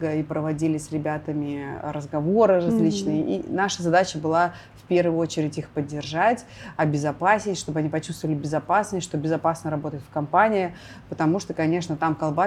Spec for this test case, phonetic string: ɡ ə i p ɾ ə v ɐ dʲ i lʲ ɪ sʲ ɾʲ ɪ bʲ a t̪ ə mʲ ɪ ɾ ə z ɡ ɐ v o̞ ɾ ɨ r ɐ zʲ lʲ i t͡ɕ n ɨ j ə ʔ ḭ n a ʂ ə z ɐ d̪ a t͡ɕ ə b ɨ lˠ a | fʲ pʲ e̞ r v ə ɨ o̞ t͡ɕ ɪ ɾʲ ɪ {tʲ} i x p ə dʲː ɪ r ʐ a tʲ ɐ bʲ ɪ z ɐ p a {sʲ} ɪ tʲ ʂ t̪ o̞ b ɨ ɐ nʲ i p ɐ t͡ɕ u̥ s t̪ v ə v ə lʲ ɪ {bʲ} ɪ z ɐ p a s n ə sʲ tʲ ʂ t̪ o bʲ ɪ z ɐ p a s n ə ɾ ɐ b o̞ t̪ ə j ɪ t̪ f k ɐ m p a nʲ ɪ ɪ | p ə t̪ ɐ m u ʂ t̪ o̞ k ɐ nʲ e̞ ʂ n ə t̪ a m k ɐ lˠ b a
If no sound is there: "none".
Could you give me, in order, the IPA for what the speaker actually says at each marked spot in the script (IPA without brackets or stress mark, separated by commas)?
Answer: tʲ, sʲ, bʲ